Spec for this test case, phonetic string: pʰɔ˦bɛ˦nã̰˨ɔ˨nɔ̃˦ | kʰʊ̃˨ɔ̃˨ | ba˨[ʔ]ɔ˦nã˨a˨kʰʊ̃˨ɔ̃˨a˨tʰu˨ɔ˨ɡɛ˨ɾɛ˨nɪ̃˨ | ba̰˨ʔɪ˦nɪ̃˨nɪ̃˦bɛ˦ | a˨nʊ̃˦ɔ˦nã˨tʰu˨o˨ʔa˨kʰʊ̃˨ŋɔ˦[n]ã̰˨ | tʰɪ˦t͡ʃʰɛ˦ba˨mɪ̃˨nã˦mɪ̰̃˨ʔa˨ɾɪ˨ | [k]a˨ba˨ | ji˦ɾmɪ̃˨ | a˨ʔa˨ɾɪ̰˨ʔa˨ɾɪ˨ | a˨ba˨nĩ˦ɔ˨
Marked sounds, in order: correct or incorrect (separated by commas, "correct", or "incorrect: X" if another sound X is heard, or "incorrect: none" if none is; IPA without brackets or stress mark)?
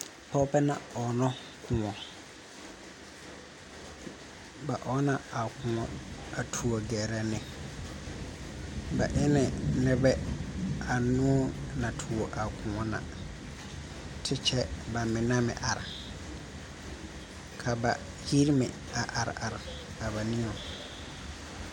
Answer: correct, correct, incorrect: kʰ